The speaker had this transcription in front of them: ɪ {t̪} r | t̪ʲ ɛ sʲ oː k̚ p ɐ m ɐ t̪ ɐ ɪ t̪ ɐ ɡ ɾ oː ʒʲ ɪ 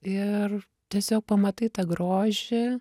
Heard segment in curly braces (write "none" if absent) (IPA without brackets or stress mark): none